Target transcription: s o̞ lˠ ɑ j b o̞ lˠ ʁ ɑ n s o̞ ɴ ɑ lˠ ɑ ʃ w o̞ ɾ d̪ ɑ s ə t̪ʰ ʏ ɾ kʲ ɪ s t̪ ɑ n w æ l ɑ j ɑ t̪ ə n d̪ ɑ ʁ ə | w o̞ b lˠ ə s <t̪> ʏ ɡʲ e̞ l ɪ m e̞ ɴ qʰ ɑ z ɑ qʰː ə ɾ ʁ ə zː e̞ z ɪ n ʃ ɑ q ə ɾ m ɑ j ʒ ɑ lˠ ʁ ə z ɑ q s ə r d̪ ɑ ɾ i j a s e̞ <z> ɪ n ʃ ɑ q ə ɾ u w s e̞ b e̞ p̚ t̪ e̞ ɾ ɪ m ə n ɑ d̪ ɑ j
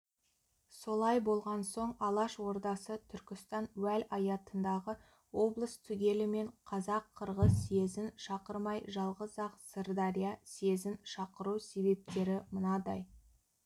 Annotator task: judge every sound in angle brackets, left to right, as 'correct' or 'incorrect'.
incorrect: t̪ʰ, correct

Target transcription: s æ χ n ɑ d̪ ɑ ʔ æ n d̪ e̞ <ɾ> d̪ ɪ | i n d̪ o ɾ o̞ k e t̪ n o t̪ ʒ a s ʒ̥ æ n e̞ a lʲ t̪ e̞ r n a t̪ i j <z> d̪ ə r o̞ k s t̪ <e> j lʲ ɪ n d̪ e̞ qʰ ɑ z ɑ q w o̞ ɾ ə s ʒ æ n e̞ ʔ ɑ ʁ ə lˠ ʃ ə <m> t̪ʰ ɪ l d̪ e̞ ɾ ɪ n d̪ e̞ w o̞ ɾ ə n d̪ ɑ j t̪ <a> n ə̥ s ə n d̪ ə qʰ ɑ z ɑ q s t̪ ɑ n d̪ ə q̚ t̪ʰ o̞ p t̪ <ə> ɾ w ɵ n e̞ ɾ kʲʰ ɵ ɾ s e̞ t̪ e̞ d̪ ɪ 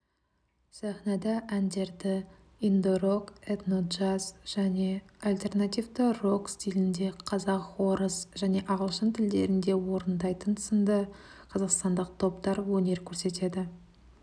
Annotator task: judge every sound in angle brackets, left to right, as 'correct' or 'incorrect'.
correct, incorrect: v, incorrect: i, incorrect: n, incorrect: ə, incorrect: ɑ

